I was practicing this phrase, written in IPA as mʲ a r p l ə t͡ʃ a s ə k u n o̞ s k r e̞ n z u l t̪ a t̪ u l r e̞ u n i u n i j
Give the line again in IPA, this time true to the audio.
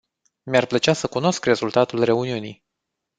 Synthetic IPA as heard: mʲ a r p l ə t͡ʃ a s ə k u n o̞ s k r e̞ z u l t̪ a t̪ u l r e̞ u n i u n i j